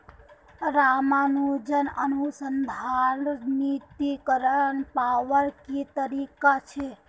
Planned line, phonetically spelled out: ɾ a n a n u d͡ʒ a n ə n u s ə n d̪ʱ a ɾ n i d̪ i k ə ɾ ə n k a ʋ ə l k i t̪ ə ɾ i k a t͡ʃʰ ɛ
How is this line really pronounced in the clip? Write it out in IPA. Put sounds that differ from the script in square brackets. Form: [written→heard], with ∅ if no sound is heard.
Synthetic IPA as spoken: ɾ a [n→m] a n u d͡ʒ [a→ə] n ə n u s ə n d̪ʱ a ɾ n i [d̪→t̪] i k ə ɾ ə n [k→p] a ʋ ə [l→ɾ] k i t̪ ə ɾ i k a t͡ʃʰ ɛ